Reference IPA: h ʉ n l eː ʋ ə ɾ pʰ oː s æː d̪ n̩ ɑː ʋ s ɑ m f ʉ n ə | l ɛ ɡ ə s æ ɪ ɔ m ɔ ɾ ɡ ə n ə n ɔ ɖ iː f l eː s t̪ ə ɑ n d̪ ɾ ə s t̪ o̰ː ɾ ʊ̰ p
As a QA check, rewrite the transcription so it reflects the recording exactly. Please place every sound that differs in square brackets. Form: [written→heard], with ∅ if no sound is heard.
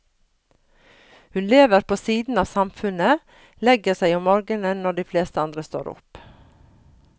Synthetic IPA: h ʉ n l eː ʋ ə ɾ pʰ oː s [æː→iː] d̪ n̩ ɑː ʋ s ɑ m f ʉ n ə | l ɛ ɡ ə s æ ɪ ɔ m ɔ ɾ ɡ ə n ə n ɔ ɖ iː f l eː s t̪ ə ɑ n d̪ ɾ ə s t̪ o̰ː ɾ ʊ̰ p